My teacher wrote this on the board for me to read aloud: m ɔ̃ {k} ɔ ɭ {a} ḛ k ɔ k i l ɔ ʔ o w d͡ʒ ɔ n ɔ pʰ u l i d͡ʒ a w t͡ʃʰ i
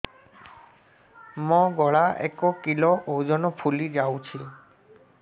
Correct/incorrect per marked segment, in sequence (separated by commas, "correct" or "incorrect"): incorrect, correct